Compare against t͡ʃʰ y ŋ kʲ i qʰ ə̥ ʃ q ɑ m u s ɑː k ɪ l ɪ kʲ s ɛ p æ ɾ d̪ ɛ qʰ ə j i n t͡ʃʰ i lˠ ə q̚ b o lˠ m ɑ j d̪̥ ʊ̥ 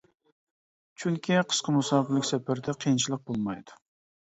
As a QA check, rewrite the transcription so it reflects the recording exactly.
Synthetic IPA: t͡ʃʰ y ŋ kʲ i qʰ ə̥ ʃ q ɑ m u s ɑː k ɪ l ɪ kʲ s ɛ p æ ɾ d̪ ɛ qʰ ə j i n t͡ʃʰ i lˠ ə q̚ b o lˠ m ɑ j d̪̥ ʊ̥